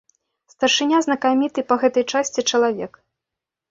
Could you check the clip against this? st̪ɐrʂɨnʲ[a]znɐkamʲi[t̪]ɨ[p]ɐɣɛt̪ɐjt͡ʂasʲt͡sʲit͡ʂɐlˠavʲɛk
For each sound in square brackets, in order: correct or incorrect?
correct, correct, correct

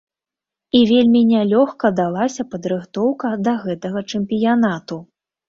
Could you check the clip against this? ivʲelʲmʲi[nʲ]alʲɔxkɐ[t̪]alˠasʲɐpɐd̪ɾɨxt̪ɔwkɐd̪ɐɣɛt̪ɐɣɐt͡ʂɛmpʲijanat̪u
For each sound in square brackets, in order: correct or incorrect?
correct, incorrect: d̪

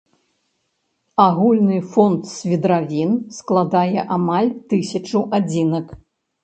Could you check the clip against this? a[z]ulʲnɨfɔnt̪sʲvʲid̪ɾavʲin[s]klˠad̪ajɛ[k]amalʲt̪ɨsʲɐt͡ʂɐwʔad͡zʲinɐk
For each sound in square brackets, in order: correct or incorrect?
incorrect: ɣ, correct, incorrect: ʔ

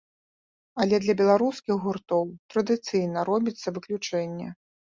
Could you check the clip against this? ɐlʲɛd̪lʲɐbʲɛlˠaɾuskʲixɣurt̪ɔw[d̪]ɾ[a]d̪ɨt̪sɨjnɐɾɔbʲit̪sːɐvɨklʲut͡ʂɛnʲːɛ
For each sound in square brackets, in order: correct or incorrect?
incorrect: t̪, incorrect: ɐ

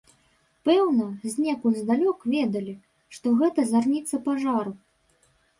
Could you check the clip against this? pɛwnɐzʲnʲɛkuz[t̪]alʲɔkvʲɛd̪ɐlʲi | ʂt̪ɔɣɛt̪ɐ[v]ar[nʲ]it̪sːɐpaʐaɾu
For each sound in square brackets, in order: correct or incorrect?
incorrect: d̪, incorrect: z, correct

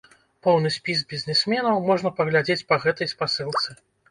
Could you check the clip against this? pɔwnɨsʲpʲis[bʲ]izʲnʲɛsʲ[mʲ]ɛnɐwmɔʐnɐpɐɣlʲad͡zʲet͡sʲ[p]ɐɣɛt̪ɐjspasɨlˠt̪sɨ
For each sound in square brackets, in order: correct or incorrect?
correct, correct, correct

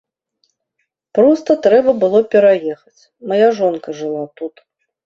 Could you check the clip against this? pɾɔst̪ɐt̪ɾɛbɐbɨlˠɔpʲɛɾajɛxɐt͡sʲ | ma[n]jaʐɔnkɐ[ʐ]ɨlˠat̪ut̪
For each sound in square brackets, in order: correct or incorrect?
incorrect: none, correct

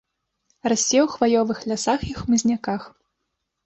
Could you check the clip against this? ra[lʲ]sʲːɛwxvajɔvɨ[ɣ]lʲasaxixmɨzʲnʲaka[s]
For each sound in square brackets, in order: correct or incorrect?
incorrect: none, incorrect: x, incorrect: x

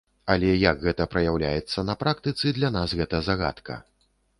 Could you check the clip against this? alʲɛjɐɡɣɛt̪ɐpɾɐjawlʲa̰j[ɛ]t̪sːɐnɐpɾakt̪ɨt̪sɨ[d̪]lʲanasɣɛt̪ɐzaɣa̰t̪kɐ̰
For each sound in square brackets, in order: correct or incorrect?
correct, correct

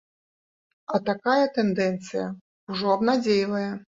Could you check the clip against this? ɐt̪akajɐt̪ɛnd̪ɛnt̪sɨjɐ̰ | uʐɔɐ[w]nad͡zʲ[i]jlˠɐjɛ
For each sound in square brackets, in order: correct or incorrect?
incorrect: b, incorrect: e

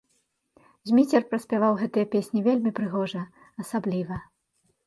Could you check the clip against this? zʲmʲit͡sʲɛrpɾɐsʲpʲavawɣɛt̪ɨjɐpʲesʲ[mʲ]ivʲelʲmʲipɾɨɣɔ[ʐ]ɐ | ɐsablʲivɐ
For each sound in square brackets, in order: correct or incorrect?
incorrect: nʲ, correct

